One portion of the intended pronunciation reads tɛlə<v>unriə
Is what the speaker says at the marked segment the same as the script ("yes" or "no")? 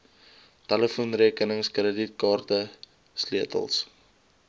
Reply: no